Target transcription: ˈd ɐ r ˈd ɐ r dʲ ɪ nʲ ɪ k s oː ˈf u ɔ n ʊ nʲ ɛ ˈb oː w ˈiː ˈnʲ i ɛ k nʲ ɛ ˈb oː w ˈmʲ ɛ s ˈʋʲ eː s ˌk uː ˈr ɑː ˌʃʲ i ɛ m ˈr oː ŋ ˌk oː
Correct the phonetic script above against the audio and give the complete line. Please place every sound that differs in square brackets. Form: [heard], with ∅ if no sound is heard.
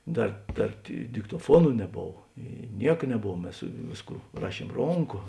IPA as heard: ˈd ɐ r ˈd ɐ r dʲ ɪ [dʲ] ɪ k [t] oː ˈf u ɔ n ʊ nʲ ɛ ˈb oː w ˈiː ˈnʲ i ɛ k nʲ ɛ ˈb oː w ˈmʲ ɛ s ˈʋʲ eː s ˌk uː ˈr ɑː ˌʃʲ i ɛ m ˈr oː ŋ ˌk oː